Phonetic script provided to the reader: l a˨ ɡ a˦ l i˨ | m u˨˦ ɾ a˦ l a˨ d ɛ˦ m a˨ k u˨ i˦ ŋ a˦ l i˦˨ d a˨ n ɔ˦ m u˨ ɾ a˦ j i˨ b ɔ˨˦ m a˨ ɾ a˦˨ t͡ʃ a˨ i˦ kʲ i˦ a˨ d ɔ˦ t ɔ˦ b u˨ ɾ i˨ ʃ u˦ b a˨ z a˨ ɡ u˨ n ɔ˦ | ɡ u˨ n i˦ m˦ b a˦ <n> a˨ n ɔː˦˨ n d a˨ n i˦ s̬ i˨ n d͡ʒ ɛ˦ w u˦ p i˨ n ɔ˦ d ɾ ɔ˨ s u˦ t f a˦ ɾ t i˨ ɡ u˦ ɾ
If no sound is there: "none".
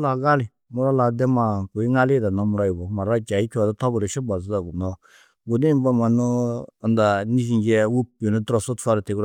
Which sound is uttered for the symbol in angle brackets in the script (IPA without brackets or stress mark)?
m